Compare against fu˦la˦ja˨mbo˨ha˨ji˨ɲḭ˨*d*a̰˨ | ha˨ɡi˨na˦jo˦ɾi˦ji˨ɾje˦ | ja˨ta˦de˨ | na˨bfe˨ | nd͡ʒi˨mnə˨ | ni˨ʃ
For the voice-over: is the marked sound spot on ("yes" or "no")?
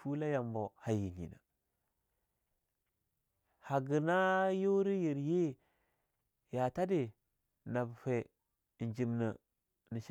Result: no